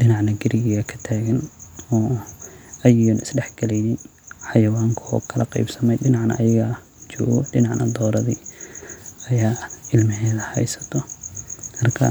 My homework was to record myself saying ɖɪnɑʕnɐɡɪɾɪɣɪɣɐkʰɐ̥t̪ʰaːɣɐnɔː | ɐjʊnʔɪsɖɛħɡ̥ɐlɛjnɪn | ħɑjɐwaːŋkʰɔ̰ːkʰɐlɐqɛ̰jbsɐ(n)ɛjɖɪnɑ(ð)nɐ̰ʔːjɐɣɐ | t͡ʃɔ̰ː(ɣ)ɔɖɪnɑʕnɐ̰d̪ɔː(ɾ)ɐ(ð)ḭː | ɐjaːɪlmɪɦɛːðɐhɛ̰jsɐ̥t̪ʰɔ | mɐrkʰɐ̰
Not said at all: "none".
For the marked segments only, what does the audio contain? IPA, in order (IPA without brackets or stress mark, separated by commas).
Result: m, ʕ, ɣ, ɾ, ð